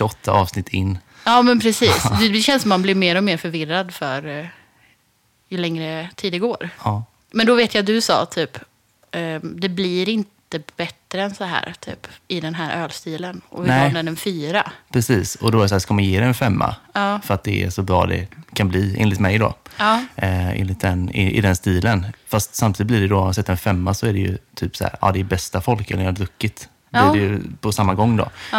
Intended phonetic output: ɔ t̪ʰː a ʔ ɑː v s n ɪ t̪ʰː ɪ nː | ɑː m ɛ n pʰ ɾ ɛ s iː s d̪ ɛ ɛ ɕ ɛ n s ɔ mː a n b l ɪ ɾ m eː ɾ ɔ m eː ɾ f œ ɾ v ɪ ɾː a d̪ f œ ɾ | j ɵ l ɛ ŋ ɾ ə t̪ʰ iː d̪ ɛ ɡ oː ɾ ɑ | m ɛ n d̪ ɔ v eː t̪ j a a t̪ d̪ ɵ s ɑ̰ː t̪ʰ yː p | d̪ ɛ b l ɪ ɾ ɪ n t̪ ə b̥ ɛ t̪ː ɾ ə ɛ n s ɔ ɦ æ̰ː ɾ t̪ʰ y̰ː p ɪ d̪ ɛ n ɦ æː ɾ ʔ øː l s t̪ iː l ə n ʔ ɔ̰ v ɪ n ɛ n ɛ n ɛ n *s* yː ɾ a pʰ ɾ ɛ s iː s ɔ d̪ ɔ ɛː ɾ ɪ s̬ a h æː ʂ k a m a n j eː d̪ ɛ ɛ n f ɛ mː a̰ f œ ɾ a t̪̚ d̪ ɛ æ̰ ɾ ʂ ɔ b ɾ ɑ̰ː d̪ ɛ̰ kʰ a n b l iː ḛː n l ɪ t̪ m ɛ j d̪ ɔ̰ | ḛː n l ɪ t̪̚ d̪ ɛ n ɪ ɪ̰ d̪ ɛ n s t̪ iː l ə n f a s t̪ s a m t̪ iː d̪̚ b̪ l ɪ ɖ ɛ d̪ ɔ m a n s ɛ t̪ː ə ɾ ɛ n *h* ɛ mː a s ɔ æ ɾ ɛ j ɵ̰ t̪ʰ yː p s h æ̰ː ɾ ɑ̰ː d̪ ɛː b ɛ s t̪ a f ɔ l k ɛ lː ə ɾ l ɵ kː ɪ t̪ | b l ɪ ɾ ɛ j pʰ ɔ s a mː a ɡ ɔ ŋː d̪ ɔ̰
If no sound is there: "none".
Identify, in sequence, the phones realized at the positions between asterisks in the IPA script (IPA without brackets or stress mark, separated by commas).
f, f